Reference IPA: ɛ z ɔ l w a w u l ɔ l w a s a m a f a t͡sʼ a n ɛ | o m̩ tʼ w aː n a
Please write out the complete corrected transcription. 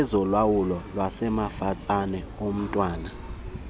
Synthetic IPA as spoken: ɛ z ɔ l w a w u l ɔ l w a s ɛ m a f a t͡sʼ a n ɛ | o m̩ tʼ w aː n a